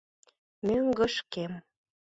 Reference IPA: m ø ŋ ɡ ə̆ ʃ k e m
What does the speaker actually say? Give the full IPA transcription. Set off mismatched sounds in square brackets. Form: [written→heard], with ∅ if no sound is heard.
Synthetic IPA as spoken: m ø ŋ ɡ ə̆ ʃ k e m